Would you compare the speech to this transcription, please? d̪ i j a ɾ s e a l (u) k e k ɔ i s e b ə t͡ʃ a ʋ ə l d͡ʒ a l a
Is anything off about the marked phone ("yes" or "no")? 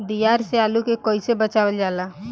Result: no